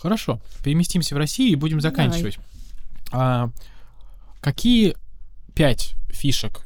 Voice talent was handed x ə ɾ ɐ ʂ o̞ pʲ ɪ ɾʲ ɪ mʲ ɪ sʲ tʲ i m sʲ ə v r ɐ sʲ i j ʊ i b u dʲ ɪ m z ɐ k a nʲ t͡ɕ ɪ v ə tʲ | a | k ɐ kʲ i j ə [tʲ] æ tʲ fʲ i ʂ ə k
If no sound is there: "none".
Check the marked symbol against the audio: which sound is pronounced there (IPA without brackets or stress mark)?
pʲ